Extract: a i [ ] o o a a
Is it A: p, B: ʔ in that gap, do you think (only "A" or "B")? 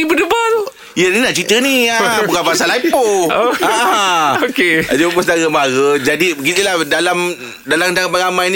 A